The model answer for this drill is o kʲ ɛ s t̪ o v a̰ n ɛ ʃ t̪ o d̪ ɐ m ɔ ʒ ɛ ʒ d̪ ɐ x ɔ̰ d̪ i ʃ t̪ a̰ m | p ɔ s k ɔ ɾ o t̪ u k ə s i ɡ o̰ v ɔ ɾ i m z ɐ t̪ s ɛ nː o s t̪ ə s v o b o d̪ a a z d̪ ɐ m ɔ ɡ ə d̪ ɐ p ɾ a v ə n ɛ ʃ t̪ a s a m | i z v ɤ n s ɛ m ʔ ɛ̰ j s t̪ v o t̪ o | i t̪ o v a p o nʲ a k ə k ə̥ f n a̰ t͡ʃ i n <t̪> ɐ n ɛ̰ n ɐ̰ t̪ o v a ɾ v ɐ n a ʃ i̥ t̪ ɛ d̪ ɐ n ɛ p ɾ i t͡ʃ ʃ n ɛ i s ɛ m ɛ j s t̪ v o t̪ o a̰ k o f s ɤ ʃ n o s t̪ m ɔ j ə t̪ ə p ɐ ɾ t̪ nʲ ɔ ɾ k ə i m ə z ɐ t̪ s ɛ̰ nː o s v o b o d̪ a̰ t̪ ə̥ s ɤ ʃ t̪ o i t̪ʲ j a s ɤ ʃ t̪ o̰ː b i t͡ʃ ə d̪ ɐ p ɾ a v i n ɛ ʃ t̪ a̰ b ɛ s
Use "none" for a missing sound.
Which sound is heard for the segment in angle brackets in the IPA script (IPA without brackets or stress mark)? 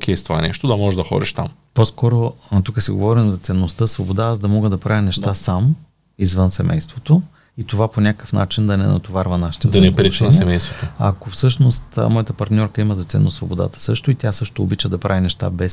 d̪